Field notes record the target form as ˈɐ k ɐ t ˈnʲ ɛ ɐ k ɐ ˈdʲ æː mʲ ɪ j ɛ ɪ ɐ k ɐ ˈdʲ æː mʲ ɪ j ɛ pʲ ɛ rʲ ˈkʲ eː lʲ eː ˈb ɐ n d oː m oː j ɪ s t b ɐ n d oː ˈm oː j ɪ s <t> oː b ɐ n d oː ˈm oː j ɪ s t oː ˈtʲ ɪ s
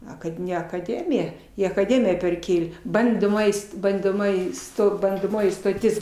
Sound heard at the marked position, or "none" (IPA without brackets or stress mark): t